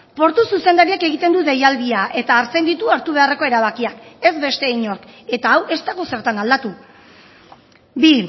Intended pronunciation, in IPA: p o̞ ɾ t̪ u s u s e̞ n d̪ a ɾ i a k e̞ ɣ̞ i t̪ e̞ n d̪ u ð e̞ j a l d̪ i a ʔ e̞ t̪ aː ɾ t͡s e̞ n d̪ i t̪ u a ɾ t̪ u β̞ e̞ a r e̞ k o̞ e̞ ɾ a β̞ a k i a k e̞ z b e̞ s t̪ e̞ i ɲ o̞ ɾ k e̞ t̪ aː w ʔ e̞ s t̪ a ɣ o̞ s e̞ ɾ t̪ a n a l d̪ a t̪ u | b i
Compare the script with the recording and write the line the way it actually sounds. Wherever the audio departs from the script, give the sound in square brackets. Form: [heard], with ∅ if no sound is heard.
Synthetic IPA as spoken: p o̞ ɾ t̪ u s u s e̞ n d̪ a ɾ i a k e̞ ɣ̞ i t̪ e̞ n d̪ u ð e̞ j a l d̪ i a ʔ e̞ t̪ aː ɾ t͡s e̞ n d̪ i t̪ u a ɾ t̪ u β̞ e̞ a r e̞ k o̞ e̞ ɾ a β̞ a k i a k e̞ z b e̞ s t̪ e̞ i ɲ o̞ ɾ k e̞ t̪ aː w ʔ e̞ s t̪ a ɣ o̞ s e̞ ɾ t̪ a n a l d̪ a t̪ u | b i